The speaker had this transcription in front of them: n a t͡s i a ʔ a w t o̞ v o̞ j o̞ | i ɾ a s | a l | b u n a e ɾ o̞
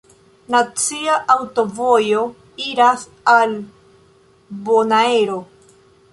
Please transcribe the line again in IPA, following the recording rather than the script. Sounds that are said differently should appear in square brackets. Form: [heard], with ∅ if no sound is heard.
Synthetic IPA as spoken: n a t͡s i a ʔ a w t o̞ v o̞ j o̞ | i ɾ a s | a l | b [o] n a e ɾ o̞

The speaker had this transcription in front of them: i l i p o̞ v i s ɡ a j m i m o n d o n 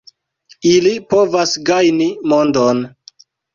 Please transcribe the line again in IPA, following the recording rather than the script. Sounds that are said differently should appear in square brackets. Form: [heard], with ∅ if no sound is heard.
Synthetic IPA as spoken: i l i p o̞ v [a] s ɡ a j [n] i m o n d o n

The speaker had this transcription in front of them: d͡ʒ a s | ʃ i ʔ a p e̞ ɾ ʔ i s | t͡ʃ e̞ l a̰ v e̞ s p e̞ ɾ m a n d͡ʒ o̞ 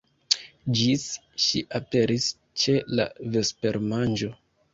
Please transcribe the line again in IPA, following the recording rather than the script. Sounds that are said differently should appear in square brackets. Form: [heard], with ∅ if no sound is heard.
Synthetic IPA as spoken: d͡ʒ [i] s | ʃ i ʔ a p e̞ ɾ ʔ i s | t͡ʃ e̞ l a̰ v e̞ s p e̞ ɾ m a n d͡ʒ o̞

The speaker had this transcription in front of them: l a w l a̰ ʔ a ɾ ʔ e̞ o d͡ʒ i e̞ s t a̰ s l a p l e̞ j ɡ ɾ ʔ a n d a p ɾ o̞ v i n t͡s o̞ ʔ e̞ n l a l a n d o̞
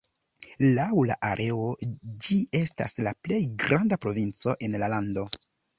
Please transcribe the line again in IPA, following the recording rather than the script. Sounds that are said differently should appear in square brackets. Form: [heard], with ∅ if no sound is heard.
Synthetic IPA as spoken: l a w l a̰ ʔ a ɾ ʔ e̞ o d͡ʒ i e̞ s t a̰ s l a p l e̞ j ɡ ɾ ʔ a n d a p ɾ o̞ v i n t͡s o̞ ʔ e̞ n l a l a n d o̞

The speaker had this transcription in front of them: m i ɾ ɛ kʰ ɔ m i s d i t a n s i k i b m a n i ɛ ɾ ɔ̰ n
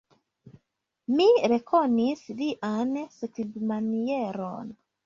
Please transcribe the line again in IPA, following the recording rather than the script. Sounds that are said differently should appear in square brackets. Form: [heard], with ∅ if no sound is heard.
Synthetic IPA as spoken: m i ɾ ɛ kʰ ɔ [n] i s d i [ʔ] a n s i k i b m a n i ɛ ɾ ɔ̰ n

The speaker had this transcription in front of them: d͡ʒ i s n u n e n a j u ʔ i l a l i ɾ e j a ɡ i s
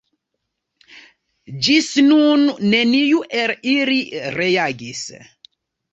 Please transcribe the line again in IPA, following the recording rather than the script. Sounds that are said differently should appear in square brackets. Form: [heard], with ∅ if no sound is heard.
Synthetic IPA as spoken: d͡ʒ i s n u [nː] e n [i] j u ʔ [e] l [i] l i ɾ e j a ɡ i s

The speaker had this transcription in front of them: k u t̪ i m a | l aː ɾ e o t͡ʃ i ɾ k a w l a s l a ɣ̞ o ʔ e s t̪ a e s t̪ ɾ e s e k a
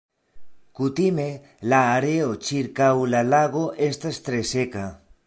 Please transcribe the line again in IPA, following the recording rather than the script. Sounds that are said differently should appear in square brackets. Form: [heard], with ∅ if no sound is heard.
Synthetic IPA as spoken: k u t̪ i m [e] | l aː ɾ e o t͡ʃ i ɾ k a w l a [∅] l a ɣ̞ o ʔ e s t̪ a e s t̪ ɾ e s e k a

